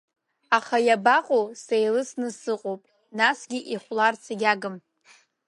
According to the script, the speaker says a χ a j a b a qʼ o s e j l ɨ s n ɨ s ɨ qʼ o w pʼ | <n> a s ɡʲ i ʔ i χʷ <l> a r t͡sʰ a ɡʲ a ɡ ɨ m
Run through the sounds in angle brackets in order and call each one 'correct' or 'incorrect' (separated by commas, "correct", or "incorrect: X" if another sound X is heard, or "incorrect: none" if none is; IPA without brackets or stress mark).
correct, correct